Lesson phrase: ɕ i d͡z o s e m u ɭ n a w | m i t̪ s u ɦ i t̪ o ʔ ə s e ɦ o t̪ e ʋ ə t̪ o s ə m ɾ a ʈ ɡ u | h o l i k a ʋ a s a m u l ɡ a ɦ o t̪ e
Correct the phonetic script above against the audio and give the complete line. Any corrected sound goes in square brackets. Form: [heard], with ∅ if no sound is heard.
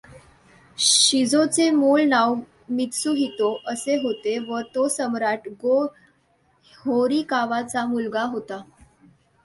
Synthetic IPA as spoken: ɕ i d͡z o [t͡s] e m u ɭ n a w | m i t̪ s u ɦ i t̪ o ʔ ə s e ɦ o t̪ e ʋ ə t̪ o s ə m ɾ a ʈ ɡ [o] | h o [ɾ] i k a ʋ a [t͡s] a m u l ɡ a ɦ o t̪ [a]